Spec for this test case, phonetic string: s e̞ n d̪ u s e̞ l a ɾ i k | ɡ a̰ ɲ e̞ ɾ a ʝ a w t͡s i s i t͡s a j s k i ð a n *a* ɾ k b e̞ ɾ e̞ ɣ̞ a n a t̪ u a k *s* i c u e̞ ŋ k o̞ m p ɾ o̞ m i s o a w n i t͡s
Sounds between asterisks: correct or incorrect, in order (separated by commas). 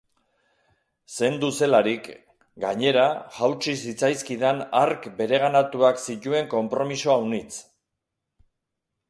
correct, correct